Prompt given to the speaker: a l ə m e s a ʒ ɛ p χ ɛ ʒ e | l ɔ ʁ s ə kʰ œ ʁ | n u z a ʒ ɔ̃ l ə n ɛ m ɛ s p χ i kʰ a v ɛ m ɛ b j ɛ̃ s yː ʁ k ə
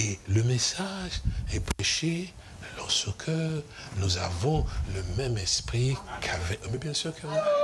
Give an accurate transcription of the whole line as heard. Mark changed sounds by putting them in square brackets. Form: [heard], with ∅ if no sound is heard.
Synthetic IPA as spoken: [e] l ə m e s a ʒ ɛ p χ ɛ [ʃ] e | l ɔ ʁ s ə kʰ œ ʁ | n u z a [v] ɔ̃ l ə [m] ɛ m ɛ s p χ i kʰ a v ɛ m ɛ b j ɛ̃ s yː ʁ k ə